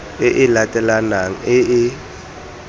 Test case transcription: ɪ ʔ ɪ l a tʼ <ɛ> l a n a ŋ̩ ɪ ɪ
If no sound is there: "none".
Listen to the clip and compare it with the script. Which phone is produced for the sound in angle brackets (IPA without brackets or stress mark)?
ɛ